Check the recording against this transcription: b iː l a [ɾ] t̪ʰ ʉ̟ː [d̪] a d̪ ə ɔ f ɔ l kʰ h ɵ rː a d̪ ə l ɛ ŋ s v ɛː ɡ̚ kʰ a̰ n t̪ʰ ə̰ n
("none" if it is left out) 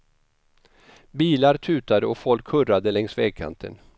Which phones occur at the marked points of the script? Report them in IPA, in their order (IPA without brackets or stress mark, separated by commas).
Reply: ɾ, t̪